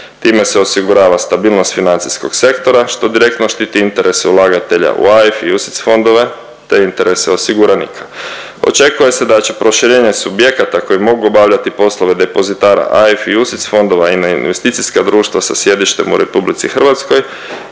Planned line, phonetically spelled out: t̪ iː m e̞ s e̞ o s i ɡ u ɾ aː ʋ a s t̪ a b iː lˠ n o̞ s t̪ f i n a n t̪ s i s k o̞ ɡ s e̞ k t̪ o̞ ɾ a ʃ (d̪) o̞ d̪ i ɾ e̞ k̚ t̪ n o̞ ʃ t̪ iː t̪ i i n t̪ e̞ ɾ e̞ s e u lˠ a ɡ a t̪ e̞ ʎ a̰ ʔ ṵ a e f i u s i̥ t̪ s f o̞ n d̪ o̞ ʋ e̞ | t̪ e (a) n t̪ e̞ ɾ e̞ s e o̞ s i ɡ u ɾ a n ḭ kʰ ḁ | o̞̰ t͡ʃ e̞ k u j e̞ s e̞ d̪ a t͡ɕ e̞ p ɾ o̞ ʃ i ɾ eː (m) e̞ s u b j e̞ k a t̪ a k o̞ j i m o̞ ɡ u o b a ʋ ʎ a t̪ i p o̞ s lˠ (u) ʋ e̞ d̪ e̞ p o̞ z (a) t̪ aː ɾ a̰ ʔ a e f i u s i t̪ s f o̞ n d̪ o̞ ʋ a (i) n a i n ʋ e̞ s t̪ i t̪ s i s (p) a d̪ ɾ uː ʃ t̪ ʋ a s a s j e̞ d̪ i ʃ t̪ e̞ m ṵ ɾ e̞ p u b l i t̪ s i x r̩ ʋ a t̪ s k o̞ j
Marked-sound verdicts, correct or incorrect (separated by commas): incorrect, incorrect, incorrect, incorrect, incorrect, correct, incorrect